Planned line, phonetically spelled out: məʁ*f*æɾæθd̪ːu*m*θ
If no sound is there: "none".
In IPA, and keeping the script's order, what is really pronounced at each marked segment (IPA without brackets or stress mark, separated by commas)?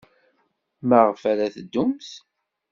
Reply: f, m